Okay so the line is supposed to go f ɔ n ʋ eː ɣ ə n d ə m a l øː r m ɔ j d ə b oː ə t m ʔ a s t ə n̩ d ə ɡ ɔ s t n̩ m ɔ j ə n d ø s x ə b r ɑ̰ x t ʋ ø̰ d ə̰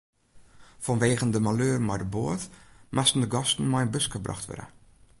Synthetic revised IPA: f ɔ n ʋ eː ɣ ə n d ə m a l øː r m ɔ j d ə b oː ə t m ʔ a s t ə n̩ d ə ɡ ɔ s t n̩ m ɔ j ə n b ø s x ə b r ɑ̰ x t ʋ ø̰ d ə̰